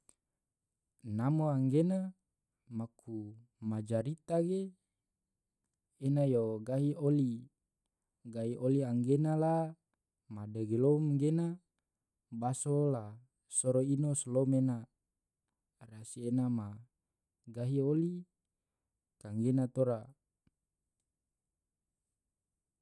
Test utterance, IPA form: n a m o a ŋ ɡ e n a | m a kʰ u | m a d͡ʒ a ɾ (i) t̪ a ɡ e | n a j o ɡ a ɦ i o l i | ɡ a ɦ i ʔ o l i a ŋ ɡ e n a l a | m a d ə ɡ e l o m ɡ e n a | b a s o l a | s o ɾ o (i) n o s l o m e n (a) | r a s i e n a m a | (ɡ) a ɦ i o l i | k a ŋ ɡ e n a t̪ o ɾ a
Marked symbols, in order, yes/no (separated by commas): yes, yes, yes, yes